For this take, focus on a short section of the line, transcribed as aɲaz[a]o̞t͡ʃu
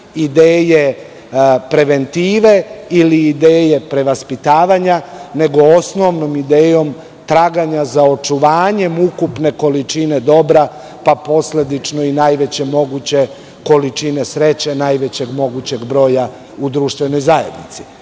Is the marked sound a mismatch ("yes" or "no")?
no